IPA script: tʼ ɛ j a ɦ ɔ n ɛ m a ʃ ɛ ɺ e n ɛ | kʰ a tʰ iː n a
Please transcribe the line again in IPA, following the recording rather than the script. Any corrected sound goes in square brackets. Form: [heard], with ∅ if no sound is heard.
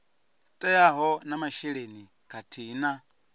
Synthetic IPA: tʼ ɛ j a ɦ ɔ n [a] m a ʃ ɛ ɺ e n [i] | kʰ a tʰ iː n a